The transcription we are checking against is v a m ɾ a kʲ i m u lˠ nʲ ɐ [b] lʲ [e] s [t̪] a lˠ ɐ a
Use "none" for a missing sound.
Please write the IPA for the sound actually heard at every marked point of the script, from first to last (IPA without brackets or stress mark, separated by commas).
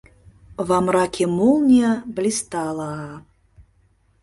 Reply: b, i, t̪